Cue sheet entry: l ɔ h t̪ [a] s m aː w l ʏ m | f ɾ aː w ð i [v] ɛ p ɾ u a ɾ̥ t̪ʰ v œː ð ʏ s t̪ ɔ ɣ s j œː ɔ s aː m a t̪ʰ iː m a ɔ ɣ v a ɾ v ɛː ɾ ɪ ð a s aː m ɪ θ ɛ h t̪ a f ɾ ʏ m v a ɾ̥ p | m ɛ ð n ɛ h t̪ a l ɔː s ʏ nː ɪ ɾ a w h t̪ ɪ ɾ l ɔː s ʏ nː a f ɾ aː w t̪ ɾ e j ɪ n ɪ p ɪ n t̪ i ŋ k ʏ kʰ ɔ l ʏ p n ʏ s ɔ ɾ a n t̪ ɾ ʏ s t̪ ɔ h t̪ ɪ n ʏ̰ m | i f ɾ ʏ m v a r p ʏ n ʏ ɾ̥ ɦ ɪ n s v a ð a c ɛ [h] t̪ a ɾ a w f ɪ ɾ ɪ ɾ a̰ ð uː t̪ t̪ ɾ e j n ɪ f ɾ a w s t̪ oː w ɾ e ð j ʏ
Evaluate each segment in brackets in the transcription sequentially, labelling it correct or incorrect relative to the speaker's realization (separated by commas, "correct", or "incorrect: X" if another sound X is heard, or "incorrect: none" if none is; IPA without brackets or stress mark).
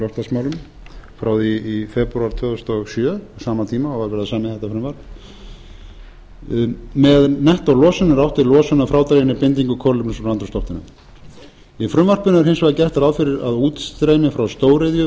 correct, incorrect: f, correct